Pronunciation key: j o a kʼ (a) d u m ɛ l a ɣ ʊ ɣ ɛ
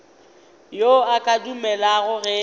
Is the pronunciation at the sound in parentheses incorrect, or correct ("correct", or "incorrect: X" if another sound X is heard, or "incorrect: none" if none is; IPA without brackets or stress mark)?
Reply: correct